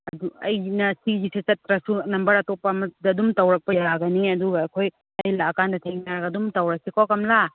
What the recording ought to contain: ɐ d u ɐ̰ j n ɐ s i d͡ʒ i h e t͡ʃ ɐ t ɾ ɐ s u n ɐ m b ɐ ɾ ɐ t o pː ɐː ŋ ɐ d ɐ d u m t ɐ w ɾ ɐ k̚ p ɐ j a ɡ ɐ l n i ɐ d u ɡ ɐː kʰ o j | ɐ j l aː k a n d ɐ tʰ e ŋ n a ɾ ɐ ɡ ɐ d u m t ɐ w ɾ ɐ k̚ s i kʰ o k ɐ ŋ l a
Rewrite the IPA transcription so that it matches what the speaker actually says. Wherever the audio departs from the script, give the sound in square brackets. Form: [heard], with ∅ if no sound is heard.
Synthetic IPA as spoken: ɐ d u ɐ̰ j n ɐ s i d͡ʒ i [s] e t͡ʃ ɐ t ɾ ɐ s u n ɐ m b ɐ ɾ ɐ t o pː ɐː [m] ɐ d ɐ d u m t ɐ w ɾ ɐ k̚ p ɐ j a ɡ ɐ [∅] n i ɐ d u ɡ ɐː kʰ o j | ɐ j l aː k a n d ɐ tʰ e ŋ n a ɾ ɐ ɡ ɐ d u m t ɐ w ɾ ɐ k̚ s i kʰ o k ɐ [m] l a